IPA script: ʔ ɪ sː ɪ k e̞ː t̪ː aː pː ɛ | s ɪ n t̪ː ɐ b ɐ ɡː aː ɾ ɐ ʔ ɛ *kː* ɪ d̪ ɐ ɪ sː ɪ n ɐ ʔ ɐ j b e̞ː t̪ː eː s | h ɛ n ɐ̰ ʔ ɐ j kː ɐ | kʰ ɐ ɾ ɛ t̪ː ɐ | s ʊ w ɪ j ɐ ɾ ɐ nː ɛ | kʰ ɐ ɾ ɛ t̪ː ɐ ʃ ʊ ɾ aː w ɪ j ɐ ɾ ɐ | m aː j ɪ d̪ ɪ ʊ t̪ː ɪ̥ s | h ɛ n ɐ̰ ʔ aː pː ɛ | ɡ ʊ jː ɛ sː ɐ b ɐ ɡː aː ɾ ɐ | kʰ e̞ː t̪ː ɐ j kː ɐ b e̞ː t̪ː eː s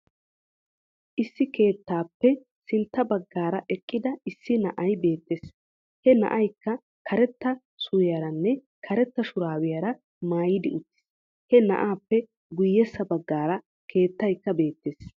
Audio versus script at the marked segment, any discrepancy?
yes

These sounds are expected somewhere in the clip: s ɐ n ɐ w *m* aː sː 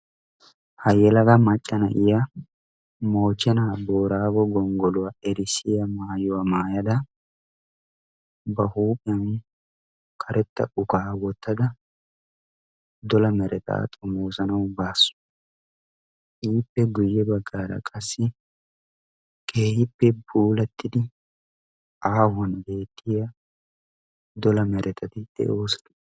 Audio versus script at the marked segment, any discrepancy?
yes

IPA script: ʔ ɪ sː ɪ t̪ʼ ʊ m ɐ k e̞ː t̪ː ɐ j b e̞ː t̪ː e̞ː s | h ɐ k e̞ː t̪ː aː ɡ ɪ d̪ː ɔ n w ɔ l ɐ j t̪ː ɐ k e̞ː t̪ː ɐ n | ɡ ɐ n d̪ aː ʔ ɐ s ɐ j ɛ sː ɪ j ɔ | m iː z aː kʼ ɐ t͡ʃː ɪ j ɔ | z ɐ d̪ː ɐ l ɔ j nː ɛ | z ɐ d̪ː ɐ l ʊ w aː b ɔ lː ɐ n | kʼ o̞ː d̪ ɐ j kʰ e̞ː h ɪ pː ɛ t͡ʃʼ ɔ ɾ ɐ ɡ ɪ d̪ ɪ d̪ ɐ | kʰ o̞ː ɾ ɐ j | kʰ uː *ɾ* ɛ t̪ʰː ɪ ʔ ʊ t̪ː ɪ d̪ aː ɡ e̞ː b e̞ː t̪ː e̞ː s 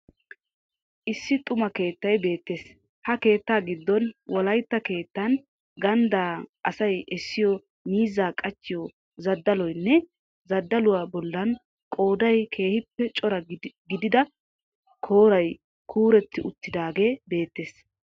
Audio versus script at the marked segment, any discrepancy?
no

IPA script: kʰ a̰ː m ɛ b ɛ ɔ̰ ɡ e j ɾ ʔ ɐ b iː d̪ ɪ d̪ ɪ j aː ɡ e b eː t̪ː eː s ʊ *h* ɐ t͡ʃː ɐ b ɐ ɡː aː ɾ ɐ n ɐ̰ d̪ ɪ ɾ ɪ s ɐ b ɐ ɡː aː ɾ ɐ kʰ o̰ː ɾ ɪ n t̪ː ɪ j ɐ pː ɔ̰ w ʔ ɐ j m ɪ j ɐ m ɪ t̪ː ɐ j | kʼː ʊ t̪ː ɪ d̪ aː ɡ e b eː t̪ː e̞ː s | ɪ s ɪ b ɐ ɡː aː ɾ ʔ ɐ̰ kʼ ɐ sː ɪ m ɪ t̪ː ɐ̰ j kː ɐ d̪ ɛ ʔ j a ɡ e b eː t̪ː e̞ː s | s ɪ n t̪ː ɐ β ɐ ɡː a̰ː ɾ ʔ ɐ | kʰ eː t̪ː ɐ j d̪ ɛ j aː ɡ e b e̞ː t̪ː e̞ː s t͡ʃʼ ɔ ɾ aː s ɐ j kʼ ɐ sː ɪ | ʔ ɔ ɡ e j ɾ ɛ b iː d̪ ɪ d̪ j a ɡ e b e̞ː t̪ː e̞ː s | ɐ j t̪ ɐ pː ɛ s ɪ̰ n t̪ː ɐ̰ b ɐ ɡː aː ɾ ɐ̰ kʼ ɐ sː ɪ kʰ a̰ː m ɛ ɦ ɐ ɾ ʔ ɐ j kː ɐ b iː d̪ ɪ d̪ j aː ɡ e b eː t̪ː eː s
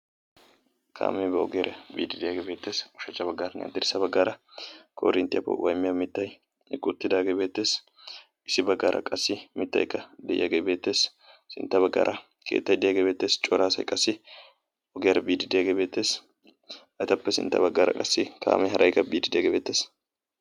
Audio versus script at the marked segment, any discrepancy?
yes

